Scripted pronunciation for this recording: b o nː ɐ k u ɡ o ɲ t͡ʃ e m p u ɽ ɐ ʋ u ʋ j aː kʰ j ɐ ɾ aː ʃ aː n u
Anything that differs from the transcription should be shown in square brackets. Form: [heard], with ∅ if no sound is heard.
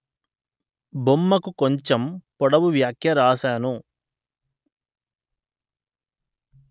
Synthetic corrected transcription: b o [mː] ɐ k u [k] o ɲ t͡ʃ e m p [ɔ] ɽ ɐ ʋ u ʋ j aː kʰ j ɐ ɾ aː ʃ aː n u